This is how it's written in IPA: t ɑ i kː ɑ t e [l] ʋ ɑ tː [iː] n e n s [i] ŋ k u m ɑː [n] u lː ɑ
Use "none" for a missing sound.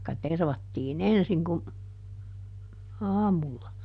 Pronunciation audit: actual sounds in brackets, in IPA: r, iː, i, m

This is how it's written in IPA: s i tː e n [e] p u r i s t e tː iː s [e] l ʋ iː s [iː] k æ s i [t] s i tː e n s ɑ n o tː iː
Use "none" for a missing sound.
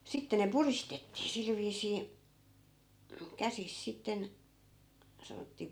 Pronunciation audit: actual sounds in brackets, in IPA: e, i, iː, s

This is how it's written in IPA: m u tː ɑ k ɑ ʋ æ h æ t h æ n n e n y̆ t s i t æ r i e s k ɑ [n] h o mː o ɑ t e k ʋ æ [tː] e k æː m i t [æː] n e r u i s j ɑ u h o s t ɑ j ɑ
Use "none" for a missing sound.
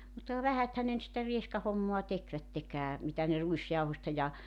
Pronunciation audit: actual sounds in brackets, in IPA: none, tː, æ

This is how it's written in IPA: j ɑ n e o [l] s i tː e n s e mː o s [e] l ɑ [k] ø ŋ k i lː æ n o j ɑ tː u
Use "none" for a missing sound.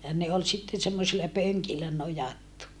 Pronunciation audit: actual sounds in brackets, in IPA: l, i, p

